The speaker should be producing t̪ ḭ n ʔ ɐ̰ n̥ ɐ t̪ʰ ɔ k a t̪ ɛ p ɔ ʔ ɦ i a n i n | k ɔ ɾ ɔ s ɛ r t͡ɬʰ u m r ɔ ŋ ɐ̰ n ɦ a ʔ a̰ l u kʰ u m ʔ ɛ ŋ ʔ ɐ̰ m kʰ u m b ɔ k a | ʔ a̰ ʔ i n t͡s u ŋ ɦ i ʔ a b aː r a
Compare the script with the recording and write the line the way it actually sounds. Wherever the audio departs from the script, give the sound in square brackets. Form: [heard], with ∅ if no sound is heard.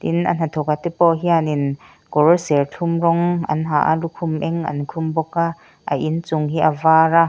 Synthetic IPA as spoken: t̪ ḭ n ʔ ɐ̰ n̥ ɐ t̪ʰ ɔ k a t̪ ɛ p ɔ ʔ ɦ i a n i n | k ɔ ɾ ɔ s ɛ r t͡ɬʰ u m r ɔ ŋ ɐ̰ n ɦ a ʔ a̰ l u kʰ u m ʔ ɛ ŋ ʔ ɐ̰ [n] kʰ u m b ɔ k a | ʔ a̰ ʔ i n t͡s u ŋ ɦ i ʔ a [v] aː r a